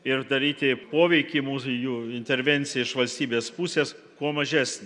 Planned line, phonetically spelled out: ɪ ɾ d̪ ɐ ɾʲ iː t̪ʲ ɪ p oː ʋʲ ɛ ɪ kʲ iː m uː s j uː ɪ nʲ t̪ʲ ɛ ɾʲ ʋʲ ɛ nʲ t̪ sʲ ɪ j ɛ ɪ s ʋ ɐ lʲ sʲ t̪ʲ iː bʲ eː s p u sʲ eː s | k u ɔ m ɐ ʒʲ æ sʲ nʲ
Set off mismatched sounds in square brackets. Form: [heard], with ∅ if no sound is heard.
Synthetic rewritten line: ɪ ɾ d̪ ɐ ɾʲ iː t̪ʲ ɪ p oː ʋʲ ɛ ɪ kʲ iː m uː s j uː ɪ nʲ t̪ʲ ɛ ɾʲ ʋʲ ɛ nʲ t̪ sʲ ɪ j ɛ ɪ [ʃ] ʋ ɐ lʲ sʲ t̪ʲ iː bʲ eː s p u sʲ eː s | k u ɔ m ɐ ʒʲ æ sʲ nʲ